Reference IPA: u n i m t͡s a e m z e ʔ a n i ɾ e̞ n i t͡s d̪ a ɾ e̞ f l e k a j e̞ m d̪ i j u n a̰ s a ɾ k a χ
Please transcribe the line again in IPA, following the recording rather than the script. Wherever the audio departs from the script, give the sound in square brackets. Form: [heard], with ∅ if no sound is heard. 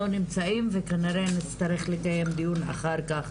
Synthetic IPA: [o] n i m t͡s a [i] m [v] e [k] a n i ɾ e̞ n i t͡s [t̪] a ɾ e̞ [χ] l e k a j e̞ m d̪ i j u n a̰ [χ] a ɾ k a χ

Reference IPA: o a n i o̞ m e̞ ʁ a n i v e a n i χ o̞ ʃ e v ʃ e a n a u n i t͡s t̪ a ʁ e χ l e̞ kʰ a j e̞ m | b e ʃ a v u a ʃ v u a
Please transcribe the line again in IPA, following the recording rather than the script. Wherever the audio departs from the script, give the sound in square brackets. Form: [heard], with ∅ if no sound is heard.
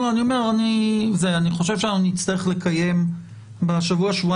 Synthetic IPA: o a n i o̞ m e̞ ʁ a n i [z] e a n i χ o̞ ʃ e v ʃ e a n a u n i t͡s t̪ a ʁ e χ l e̞ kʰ a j e̞ m | b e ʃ a v u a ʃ v u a

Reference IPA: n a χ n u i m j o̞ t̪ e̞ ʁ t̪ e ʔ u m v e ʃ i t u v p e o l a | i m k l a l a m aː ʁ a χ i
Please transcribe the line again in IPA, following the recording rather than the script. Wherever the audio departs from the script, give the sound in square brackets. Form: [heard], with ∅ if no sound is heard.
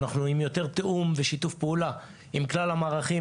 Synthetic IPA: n a χ n u i m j o̞ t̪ e̞ ʁ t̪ e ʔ u m v e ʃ i t u [f] p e [u] l a | i m k l a l a m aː ʁ a χ i

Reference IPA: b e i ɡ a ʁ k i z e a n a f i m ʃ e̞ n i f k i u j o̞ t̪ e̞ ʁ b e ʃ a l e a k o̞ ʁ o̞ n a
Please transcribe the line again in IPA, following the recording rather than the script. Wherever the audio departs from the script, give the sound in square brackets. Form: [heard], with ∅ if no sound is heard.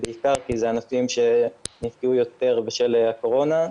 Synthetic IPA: b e i [k] a ʁ k i z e a n a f i m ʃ e̞ n i f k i u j o̞ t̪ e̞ ʁ b e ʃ [e] l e a k o̞ ʁ o̞ n a

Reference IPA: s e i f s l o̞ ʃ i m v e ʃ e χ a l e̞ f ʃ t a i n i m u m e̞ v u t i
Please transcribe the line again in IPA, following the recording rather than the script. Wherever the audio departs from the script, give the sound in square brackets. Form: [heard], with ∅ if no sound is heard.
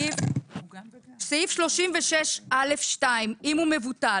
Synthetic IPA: s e i f [ʃ] l o̞ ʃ i m v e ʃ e [ʃ] a l e̞ f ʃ t a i [m] i m u m e̞ v u t [a]

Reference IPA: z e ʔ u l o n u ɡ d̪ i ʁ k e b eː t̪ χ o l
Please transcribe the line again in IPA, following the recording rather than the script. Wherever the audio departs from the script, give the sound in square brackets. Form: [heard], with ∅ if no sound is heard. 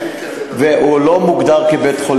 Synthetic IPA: [v] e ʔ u l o [m] u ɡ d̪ [a] ʁ k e b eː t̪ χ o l

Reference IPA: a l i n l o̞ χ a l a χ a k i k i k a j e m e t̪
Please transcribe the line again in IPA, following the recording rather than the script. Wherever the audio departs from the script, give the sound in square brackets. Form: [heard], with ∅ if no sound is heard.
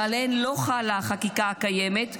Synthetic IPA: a l [e] n l o̞ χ a l a χ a k i k [a] k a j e m e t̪

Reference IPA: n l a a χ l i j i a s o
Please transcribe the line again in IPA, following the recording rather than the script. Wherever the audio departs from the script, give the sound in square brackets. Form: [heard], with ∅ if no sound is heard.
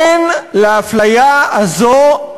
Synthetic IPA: n l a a [f] l [a] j [a] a [z] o

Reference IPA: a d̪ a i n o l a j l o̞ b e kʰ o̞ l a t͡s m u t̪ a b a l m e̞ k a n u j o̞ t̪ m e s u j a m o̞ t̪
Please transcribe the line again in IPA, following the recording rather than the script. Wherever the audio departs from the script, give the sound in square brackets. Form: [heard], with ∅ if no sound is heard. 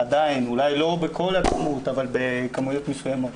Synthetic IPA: a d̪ a i n [u] l a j l o̞ b e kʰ o̞ l a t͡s m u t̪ a [v] a l [b] e̞ k a [m] u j o̞ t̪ m e s u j a m o̞ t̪

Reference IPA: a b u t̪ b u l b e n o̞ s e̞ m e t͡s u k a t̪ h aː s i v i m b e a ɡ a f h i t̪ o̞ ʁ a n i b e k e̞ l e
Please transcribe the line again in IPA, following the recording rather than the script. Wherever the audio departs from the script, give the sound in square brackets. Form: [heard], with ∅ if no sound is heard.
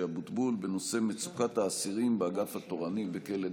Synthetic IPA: a b u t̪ b u l b e n o̞ s e̞ m e t͡s u k a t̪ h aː s i [ʁ] i m b e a ɡ a f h [a] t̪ o̞ ʁ a n i b e k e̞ l e

